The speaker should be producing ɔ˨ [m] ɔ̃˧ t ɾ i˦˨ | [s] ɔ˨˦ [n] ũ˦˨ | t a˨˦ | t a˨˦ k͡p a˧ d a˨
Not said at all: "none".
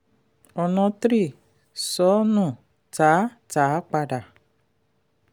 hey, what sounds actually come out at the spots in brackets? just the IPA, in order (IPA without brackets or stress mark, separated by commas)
n, s, n